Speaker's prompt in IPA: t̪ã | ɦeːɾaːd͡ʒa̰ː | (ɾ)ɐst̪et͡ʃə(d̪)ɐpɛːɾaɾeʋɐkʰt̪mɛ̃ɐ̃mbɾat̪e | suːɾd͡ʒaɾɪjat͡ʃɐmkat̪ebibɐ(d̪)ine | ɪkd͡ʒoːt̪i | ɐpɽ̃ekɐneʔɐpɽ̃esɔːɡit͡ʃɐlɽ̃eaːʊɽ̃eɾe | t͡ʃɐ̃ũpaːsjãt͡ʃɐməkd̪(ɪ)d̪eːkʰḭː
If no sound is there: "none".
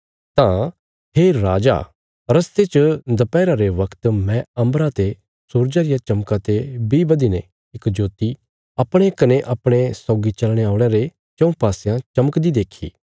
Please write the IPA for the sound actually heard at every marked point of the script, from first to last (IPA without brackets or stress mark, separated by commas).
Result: ɾ, d̪, d̪, i